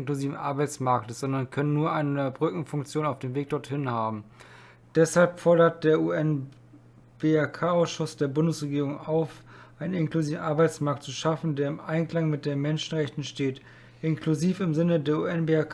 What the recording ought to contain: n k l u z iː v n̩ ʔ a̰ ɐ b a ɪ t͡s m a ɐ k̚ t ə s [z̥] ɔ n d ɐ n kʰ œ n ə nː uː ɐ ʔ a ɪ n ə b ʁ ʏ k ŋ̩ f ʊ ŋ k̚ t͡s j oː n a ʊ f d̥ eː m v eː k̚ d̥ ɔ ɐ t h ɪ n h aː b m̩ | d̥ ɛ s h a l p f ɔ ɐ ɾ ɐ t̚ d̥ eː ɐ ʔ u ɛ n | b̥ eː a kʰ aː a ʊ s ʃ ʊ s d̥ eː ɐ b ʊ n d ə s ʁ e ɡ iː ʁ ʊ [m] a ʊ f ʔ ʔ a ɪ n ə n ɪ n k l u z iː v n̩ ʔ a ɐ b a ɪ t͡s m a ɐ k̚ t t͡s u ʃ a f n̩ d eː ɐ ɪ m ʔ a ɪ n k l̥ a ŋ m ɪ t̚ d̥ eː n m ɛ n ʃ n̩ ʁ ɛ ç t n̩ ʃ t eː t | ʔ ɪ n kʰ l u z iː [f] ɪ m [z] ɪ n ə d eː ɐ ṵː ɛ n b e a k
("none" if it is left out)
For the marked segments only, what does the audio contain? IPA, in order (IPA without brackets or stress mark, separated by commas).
z̥, ŋ, f, z